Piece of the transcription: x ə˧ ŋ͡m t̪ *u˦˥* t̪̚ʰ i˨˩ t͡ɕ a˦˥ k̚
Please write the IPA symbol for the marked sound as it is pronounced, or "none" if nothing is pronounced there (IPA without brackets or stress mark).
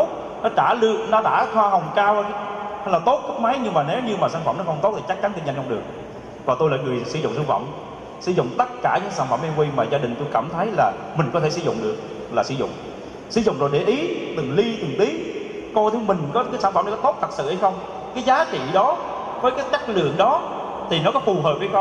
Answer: o˦˥